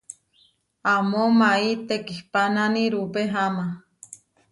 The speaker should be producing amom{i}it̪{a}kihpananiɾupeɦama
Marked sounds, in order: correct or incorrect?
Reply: incorrect, incorrect

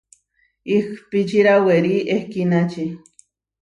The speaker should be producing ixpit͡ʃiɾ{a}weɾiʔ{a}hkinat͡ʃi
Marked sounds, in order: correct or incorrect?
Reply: correct, incorrect

